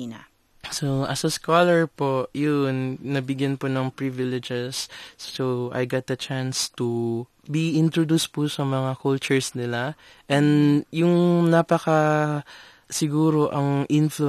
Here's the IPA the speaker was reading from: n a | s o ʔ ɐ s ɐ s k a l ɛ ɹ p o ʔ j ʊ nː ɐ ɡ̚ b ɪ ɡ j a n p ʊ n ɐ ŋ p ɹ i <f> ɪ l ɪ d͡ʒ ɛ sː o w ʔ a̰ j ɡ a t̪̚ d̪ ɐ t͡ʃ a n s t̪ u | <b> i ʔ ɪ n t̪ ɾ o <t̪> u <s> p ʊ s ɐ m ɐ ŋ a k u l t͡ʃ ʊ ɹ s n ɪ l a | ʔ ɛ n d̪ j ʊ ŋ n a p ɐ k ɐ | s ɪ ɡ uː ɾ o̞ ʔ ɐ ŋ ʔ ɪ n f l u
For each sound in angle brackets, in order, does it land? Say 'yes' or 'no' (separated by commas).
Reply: no, yes, no, yes